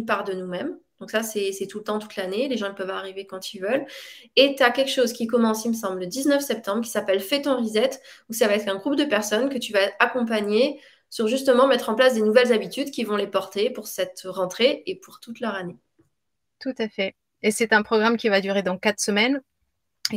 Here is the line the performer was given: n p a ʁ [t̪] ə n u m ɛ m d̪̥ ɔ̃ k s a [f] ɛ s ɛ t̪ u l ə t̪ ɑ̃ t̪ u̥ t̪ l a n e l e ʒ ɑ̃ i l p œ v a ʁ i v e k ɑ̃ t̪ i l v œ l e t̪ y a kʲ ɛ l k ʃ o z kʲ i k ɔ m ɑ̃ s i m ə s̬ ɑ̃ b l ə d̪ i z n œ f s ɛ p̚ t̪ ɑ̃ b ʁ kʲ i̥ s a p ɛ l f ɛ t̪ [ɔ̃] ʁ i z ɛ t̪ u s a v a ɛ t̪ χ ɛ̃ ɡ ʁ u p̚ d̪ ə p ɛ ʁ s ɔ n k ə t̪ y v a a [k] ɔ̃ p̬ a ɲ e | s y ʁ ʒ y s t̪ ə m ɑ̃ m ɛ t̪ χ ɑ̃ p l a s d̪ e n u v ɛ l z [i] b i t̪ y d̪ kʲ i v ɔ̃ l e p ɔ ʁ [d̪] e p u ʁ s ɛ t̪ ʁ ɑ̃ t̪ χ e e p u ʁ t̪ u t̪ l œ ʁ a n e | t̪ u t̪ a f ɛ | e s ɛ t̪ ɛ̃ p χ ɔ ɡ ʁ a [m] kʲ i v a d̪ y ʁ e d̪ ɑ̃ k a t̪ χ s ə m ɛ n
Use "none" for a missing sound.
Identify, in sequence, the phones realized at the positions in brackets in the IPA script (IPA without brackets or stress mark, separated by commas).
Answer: d̪, s, ɔ̃, k, a, t̪, m